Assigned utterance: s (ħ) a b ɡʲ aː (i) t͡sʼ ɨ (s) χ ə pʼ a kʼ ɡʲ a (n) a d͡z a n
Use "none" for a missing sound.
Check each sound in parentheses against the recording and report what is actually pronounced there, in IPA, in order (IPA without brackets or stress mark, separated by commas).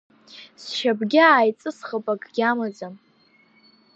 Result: ʃ, j, s, m